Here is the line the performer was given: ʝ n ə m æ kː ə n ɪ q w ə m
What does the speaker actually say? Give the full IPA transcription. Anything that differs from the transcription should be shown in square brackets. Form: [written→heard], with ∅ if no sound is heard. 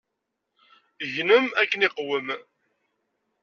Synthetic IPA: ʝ n ə m æ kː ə n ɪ q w ə m